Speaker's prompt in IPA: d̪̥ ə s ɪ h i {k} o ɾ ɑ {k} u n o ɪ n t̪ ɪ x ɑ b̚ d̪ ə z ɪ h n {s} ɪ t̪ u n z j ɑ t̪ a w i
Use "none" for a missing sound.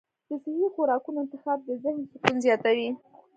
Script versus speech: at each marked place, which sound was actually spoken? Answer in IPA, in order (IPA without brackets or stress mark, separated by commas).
x, k, s